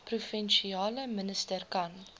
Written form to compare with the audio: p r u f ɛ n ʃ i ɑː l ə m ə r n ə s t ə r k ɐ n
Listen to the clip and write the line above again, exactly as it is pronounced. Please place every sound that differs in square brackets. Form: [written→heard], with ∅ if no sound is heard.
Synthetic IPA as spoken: p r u f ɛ n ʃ i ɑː l ə m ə [r→∅] n ə s t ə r k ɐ n